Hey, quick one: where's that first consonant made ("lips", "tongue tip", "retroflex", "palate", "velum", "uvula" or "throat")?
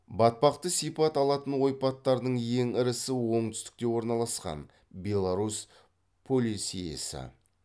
lips